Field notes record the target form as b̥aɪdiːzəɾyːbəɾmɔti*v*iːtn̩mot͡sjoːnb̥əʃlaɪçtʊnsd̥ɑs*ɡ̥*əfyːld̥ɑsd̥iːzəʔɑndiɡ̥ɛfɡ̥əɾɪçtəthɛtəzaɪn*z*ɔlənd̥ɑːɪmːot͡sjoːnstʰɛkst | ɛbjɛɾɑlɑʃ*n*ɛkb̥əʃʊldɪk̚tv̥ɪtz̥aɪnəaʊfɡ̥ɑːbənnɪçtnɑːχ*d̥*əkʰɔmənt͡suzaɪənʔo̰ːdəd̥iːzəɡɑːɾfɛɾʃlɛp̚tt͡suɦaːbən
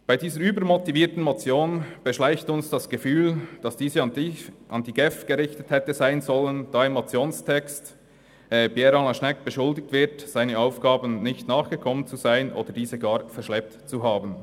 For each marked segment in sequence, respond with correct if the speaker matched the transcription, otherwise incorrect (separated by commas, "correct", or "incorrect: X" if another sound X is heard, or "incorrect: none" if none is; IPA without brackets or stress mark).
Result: correct, correct, correct, correct, incorrect: ɡ̥